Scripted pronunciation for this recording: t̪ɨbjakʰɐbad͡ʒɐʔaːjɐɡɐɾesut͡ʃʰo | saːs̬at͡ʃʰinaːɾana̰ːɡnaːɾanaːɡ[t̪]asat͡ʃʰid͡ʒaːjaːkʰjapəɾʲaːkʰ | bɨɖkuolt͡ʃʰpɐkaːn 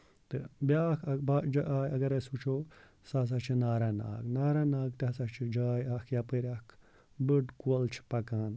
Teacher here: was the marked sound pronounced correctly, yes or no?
yes